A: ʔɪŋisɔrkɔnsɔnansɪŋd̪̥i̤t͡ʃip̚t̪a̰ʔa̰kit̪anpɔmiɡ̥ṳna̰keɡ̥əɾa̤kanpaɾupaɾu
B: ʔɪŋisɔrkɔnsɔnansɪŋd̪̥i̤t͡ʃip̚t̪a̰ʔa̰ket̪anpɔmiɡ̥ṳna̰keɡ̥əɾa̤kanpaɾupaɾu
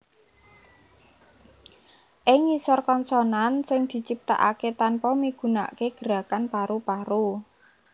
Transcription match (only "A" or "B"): B